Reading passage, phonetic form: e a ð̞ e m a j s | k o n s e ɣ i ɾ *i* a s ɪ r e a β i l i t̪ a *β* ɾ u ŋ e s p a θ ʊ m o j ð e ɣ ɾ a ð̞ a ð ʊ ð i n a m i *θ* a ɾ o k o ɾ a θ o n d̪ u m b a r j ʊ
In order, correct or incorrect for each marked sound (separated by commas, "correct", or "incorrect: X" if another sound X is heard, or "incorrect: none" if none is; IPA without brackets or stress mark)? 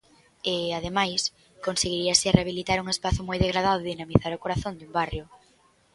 correct, incorrect: none, correct